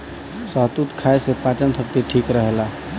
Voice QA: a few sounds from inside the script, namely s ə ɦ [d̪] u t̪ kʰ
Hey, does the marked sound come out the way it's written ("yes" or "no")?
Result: no